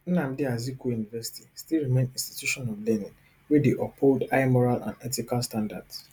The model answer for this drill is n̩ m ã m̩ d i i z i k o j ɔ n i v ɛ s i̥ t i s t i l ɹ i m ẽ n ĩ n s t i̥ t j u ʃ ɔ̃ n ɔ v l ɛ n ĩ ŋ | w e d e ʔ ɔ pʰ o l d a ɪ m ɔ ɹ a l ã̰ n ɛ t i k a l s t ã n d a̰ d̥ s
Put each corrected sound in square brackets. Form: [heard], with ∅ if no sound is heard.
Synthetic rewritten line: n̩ [n] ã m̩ d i [a] z i k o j [u] n i v ɛ s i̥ t i s t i l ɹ i m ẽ n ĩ n s t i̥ t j u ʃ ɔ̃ n ɔ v l ɛ n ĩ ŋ | w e d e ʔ ɔ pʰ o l d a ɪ m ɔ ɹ a l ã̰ n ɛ t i k a l s t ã n d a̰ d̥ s

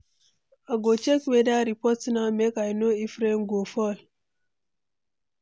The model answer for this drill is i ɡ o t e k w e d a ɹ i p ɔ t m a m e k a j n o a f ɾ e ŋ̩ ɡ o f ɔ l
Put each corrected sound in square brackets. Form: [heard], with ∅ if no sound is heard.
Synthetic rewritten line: [a] ɡ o [t͡ʃ] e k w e d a [ɾ] i p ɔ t [n] a m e k a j n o [i] f ɾ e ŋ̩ ɡ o f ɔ l

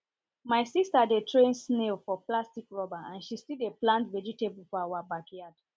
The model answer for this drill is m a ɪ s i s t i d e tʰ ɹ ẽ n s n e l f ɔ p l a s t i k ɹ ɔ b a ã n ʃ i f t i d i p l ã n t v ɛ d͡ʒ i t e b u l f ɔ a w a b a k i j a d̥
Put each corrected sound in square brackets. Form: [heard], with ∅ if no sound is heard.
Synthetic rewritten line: m a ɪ s i s t [a] d e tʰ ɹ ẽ n s n e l f ɔ p l a s t i k ɹ ɔ b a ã n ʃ i [s] t i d [e] p l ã n t v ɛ d͡ʒ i t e b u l f ɔ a w a b a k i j a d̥

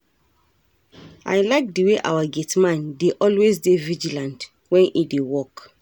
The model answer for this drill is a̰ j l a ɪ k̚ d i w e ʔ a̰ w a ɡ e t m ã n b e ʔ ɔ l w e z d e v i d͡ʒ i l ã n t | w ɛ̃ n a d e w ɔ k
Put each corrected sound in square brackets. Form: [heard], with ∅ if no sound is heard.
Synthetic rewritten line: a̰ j l a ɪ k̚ d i w e ʔ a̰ w a ɡ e t m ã n [d] e ʔ ɔ l w e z d e v i d͡ʒ i l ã n t | w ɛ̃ n [i] d e w ɔ k

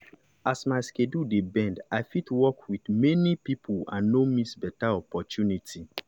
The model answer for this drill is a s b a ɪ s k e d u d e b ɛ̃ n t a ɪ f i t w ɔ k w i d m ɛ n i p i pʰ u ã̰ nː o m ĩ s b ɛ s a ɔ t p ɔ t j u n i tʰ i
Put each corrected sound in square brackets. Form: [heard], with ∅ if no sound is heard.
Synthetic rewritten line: a s [m] a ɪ s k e d u d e b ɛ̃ n [d] a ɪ f i t w ɔ k w i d m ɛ n i p i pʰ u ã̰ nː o m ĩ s b ɛ [t] a ɔ [∅] p ɔ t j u n i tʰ i

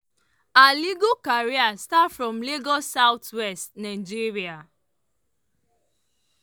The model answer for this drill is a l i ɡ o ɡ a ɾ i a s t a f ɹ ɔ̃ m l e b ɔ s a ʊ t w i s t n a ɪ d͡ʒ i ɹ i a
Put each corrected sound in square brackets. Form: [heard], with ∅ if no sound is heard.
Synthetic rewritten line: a l i ɡ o [k] a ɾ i a s t a f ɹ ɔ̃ m l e [ɡ] ɔ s a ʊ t w [ɛ] s t n a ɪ d͡ʒ i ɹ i a

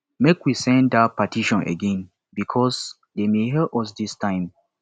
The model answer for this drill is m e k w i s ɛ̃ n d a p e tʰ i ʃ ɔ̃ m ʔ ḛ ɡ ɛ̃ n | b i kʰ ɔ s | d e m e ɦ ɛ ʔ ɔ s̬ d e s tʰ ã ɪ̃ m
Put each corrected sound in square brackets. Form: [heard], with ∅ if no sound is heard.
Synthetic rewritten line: m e k w i s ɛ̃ n d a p [a] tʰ i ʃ ɔ̃ [n] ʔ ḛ ɡ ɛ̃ n | b i kʰ ɔ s | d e m e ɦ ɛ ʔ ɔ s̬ d [i] s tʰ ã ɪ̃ m

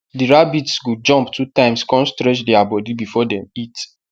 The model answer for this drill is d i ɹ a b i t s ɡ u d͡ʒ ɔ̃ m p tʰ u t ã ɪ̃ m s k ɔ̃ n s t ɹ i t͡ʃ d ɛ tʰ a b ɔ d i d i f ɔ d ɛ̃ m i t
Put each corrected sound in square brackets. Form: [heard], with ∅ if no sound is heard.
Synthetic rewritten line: d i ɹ a b i t s ɡ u d͡ʒ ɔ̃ m p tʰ u t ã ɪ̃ m s k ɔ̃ n s t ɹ [ɛ] t͡ʃ d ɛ [∅] a b ɔ d i [b] i f ɔ d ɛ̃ m i t

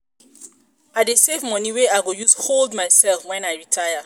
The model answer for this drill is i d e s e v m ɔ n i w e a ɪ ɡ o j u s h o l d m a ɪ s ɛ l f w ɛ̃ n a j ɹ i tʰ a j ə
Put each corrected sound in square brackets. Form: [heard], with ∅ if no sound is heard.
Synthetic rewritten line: [a] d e s e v m ɔ n i w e a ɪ ɡ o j u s h o l d m a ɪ s ɛ l f w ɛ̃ n a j ɹ i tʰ a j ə

